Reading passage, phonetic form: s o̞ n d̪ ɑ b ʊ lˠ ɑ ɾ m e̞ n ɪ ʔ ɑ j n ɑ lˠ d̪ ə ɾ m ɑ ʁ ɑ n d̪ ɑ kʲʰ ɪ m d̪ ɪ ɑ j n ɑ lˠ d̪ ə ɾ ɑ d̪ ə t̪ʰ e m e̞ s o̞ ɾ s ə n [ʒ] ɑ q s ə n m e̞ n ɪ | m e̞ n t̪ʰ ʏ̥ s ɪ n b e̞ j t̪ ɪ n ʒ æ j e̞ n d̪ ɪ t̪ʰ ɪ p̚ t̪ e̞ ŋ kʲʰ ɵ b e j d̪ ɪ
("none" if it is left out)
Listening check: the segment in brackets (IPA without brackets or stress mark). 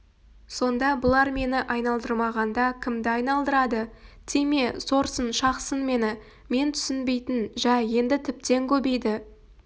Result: ʃ